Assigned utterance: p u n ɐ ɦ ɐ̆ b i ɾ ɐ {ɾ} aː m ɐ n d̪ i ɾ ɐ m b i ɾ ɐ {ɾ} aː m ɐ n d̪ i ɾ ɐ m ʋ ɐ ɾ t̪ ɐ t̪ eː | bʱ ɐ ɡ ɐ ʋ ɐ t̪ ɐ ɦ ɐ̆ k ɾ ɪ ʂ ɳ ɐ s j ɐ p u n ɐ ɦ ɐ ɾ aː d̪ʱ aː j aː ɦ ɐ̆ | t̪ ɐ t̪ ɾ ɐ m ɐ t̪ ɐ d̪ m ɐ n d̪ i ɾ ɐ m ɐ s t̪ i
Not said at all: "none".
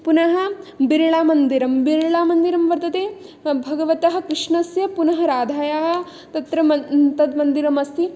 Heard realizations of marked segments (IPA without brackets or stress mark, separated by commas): ɭ, ɭ